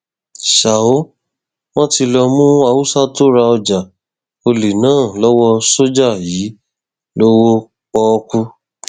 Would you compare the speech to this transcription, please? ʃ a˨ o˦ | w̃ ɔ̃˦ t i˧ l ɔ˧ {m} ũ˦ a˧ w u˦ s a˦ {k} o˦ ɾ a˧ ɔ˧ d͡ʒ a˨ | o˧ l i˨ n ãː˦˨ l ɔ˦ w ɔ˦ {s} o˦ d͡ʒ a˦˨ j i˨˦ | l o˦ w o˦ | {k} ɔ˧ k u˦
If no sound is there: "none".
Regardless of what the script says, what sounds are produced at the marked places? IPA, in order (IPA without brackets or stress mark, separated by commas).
m, t, s, k͡p